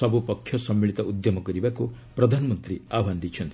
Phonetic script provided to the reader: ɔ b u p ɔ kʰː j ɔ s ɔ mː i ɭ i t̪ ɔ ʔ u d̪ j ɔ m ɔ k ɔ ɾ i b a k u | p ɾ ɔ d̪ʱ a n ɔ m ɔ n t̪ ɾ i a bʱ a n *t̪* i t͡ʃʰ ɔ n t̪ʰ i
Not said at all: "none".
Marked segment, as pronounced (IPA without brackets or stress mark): d̪